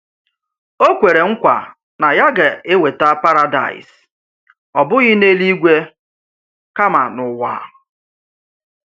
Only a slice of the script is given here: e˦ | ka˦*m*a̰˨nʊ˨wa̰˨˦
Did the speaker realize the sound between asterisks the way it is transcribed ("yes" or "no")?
yes